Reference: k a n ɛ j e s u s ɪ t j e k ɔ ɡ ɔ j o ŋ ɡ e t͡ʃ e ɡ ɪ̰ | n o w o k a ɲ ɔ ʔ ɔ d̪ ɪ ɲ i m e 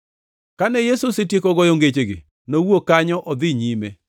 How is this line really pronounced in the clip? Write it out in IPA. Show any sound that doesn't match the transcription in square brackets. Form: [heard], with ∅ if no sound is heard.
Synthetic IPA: k a n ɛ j e s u s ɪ t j e k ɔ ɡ ɔ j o ŋ ɡ e t͡ʃ e ɡ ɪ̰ | n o w o k a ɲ ɔ ʔ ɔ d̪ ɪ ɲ i m e